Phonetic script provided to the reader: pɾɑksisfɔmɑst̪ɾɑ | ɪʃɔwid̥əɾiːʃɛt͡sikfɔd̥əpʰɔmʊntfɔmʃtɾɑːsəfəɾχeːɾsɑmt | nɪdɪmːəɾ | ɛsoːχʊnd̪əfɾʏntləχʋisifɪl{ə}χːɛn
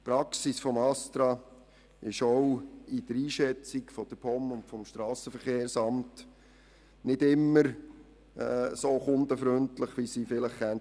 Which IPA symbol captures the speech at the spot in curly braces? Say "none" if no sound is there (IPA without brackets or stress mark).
ə